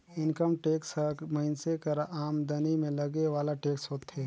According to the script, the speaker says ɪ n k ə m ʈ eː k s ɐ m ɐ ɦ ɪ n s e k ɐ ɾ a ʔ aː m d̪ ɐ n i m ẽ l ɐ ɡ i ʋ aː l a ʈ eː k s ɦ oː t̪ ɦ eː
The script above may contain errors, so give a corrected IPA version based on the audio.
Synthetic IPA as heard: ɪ n k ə m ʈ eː k s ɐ m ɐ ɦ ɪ n s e k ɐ ɾ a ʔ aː m d̪ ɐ n i m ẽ l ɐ ɡ e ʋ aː l a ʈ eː k s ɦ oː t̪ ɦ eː